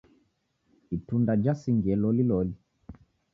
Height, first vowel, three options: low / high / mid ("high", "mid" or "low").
high